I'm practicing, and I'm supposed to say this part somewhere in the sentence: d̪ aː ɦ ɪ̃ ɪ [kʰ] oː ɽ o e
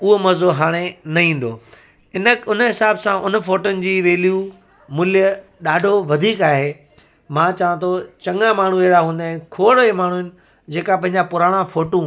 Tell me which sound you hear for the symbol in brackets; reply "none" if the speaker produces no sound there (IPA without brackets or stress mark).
kʰ